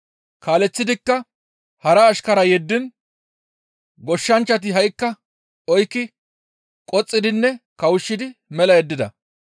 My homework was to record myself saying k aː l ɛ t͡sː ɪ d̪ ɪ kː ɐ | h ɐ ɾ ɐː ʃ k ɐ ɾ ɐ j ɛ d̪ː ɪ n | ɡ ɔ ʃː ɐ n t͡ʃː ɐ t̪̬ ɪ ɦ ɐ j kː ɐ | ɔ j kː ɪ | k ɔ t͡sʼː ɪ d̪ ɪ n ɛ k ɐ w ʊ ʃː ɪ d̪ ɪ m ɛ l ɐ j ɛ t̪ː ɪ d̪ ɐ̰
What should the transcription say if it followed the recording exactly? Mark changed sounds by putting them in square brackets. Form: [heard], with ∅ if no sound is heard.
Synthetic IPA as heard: k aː l ɛ t͡sː ɪ d̪ ɪ kː ɐ | h ɐ ɾ ɐː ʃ k ɐ ɾ ɐ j ɛ d̪ː ɪ n | ɡ ɔ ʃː ɐ n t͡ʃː ɐ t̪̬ ɪ ɦ ɐ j kː ɐ | ɔ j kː ɪ | [kʼ] ɔ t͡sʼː ɪ d̪ ɪ [nː] ɛ k ɐ w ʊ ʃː ɪ d̪ ɪ m ɛ l ɐ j ɛ [d̪ː] ɪ d̪ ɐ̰